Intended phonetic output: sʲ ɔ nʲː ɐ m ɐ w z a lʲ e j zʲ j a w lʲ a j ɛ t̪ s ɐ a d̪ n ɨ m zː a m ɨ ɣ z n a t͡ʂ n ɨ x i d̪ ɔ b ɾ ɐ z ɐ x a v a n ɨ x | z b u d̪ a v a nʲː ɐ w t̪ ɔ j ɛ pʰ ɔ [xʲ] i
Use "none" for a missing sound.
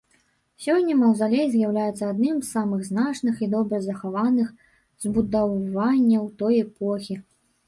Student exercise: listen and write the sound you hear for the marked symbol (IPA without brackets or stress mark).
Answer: xʲ